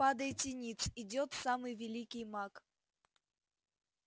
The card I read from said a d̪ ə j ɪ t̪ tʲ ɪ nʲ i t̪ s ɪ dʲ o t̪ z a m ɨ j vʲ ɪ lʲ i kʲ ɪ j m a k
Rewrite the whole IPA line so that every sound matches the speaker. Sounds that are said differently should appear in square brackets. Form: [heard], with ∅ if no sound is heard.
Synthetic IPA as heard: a d̪ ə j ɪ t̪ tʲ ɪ nʲ i t̪ s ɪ dʲ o t̪ [s] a m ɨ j vʲ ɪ lʲ i kʲ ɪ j m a k